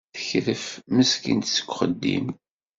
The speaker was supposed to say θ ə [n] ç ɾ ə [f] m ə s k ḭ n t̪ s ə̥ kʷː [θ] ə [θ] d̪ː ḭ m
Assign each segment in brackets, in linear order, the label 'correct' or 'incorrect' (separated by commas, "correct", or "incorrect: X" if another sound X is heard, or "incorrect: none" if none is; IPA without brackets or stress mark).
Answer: incorrect: none, correct, incorrect: χ, incorrect: none